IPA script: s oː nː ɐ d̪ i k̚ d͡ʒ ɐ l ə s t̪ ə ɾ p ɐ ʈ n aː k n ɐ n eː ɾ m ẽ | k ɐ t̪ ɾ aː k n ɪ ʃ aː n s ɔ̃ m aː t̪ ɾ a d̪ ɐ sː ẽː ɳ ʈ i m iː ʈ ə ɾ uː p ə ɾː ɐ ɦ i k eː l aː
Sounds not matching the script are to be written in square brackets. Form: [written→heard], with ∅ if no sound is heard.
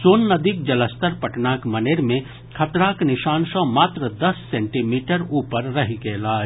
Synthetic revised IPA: s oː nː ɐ d̪ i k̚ d͡ʒ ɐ l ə s t̪ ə ɾ p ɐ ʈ n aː k [n→m] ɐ n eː ɾ m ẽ | [k→kʰ] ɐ t̪ ɾ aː k n ɪ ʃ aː n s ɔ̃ m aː t̪ ɾ [a→ə] d̪ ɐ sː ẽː ɳ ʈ i m iː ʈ ə ɾ uː p ə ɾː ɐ ɦ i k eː l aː